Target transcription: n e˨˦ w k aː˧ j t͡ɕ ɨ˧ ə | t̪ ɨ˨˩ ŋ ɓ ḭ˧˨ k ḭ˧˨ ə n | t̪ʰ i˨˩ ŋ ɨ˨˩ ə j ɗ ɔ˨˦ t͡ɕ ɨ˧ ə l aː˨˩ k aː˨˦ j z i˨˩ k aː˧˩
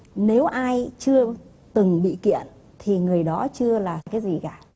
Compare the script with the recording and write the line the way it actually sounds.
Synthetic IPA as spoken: n e˨˦ w ʔ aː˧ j t͡ɕ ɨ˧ ə | t̪ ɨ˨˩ ŋ ɓ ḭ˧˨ k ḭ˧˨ ə n | t̪ʰ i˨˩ ŋ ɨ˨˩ ə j ɗ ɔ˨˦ t͡ɕ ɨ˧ ə l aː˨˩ k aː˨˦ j z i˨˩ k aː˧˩